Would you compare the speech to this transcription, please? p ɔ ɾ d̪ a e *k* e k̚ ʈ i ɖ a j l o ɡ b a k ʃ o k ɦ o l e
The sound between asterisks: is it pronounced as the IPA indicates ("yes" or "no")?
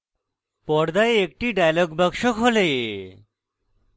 no